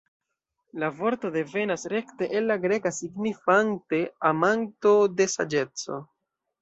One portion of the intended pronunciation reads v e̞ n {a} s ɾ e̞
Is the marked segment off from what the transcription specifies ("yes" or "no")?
no